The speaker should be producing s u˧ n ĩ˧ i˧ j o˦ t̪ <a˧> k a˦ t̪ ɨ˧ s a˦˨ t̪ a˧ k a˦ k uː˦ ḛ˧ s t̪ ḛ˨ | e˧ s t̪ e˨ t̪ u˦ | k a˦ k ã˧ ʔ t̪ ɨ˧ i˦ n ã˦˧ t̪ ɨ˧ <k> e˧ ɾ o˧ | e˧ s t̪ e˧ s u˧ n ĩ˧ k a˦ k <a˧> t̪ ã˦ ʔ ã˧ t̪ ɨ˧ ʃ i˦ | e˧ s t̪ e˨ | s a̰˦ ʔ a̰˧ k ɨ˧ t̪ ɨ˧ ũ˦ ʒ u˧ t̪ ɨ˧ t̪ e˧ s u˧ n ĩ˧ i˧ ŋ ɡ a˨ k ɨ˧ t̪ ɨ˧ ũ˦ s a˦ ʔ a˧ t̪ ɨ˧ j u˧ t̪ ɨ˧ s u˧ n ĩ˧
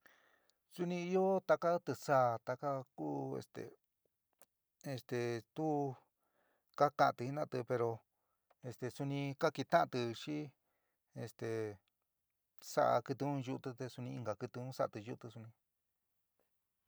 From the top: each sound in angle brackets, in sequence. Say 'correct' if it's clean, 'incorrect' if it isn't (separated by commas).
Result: correct, incorrect, incorrect